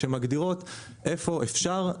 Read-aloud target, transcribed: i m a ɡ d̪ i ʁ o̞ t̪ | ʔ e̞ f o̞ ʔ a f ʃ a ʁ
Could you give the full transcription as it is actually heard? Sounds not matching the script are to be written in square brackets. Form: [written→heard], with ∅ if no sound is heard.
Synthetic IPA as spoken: [i→e] m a ɡ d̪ i ʁ o̞ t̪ | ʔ e̞ f o̞ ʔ [a→e] f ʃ a ʁ